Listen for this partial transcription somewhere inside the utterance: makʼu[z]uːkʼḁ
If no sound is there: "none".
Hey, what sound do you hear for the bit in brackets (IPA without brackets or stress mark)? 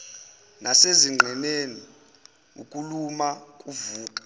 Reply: v